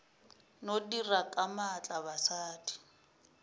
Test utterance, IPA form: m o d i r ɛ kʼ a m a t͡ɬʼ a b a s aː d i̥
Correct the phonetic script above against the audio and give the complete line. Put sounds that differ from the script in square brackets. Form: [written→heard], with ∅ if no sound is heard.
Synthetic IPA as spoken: [m→n] o d i r [ɛ→a] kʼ a m a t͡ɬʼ a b a s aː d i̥